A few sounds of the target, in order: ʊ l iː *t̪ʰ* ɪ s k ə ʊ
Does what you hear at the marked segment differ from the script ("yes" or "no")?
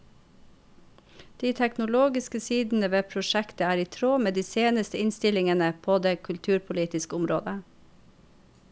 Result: yes